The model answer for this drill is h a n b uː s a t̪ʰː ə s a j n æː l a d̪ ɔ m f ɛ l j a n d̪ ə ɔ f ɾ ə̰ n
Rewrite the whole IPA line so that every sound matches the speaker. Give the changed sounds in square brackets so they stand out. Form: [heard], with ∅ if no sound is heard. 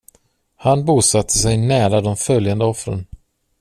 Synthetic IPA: h a n b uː s a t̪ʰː ə s [ɛ] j n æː [ɾ] a d̪ ɔ m f [œ] l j a n d̪ ə ɔ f ɾ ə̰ n